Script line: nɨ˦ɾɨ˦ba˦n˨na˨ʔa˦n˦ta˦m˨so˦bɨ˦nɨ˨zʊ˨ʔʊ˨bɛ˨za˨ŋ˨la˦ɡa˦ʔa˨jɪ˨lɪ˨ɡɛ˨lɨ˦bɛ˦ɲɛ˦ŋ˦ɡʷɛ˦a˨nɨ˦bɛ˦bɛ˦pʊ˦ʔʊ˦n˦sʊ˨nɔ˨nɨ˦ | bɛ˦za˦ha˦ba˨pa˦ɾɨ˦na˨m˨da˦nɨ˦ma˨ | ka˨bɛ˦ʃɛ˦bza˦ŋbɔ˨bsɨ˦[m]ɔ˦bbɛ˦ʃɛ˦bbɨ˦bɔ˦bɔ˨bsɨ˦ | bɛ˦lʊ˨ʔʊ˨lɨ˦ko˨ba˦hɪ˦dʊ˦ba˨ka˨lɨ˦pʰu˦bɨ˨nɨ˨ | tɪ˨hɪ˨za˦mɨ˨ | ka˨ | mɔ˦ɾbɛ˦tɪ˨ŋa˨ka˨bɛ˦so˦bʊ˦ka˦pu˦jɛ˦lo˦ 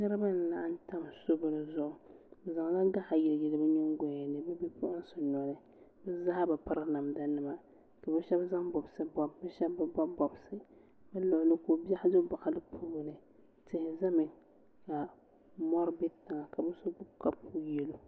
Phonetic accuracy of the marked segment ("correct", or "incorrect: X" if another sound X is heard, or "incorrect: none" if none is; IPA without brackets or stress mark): incorrect: b